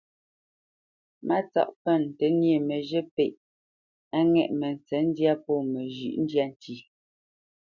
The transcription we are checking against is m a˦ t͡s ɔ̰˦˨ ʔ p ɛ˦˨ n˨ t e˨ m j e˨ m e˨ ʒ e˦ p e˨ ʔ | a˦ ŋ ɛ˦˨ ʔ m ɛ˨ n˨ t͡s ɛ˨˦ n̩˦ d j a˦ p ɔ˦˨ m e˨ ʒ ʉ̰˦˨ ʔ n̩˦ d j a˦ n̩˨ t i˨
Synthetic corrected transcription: m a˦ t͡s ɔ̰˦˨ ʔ p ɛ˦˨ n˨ t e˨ n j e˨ m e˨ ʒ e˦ p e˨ ʔ | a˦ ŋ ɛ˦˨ ʔ m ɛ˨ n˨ t͡s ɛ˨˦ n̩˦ d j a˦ p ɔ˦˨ m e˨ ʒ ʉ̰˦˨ ʔ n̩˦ d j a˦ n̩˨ t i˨